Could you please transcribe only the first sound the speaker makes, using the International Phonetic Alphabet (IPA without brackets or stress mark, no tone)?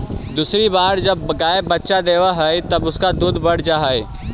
d̪